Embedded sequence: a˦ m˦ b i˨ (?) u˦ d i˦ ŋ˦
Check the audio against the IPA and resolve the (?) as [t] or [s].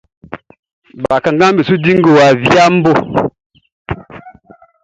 s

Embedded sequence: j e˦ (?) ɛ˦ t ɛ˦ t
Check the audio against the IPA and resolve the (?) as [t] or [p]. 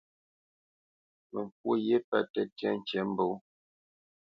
p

